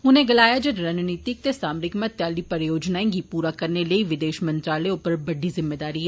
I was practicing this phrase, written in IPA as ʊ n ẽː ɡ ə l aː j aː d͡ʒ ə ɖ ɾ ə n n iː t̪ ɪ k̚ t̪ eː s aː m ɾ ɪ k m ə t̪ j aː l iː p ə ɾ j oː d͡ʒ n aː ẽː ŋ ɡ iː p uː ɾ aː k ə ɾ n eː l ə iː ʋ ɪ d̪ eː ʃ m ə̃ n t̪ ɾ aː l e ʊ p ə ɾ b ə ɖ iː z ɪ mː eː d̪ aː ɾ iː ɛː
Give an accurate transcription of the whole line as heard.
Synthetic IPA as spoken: ʊ n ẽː ɡ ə l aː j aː d͡ʒ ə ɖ ɾ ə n n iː t̪ ɪ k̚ t̪ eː s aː m ɾ ɪ k m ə t̪ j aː l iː p ə ɾ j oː d͡ʒ n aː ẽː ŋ ɡ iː p uː ɾ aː k ə ɾ n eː l ə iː ʋ ɪ d̪ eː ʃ m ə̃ n t̪ ɾ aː l e ʊ p ə ɾ b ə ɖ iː z ɪ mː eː d̪ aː ɾ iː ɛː